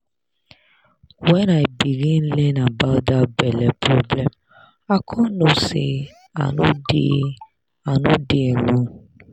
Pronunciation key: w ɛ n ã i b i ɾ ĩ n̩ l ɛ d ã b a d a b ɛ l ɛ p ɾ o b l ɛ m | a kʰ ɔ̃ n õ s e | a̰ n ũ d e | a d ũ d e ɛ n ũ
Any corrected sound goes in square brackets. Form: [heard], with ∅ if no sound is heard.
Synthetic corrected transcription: w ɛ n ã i b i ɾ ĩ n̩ l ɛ [n] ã b a d a b ɛ l ɛ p ɾ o b l ɛ m | a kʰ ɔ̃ n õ s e | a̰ n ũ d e | a [n] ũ d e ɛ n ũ